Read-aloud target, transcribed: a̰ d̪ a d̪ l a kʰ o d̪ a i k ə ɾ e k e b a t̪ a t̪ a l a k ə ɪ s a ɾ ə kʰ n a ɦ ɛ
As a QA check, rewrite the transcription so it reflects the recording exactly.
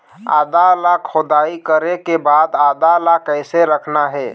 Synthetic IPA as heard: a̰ d̪ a l a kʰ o d̪ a i k ə ɾ e k e b a d̪ a d̪ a l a k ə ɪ s e ɾ ə kʰ n a ɦ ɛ